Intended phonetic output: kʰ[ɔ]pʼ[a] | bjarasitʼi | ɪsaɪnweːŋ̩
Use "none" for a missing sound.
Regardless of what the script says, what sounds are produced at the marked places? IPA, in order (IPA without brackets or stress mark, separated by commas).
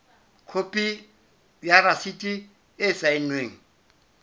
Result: o, i